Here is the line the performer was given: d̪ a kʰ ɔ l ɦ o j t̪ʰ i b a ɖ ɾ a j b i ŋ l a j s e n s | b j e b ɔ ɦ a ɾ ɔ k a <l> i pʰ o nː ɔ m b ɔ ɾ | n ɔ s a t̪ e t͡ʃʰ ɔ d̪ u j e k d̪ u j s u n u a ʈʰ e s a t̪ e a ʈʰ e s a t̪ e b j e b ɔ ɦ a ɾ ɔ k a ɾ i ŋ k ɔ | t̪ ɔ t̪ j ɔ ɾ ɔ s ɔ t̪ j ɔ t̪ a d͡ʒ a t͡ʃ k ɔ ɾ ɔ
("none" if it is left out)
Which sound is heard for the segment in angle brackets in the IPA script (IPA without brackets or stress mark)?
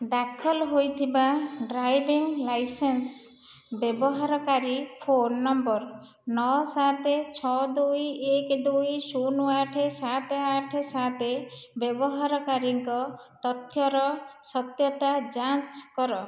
ɾ